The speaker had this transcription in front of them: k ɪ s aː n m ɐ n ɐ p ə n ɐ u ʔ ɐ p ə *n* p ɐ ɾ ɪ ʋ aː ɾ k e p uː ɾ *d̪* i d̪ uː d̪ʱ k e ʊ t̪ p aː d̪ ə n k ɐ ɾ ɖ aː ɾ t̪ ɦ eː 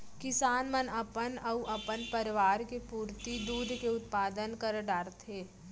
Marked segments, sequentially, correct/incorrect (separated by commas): correct, incorrect